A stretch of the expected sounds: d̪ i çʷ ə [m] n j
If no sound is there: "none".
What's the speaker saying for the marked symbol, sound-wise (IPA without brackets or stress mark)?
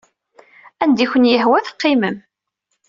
none